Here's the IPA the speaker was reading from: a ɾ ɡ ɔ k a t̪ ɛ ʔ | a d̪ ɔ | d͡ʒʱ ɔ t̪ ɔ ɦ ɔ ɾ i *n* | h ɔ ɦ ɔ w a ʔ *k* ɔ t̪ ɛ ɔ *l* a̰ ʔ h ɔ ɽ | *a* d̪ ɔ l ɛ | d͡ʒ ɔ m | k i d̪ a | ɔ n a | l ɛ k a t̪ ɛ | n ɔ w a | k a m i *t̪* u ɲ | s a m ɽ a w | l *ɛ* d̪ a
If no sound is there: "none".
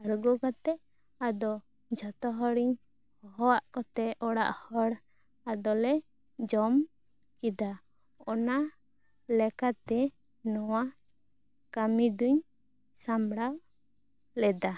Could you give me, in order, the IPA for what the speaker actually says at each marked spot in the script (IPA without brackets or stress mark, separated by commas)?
ɲ, k, ɽ, a, d̪, ɛ